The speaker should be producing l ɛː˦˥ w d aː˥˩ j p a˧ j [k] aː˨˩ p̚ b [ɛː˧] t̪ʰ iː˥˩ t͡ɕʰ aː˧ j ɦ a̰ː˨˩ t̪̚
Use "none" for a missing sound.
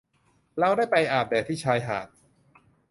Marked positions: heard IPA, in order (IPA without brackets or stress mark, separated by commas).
ʔ, ɛː˨˩